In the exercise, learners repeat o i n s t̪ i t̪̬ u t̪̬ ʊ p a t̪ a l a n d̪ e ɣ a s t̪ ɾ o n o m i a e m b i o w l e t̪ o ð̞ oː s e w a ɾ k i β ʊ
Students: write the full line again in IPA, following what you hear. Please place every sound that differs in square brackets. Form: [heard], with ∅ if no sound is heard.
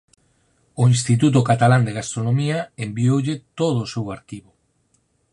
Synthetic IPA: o i n s t̪ i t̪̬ u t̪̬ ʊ [k] a t̪ a l a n d̪ e ɣ a s t̪ ɾ o n o m i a e m b i o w [ʎ] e t̪ o ð̞ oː s e w a ɾ k i β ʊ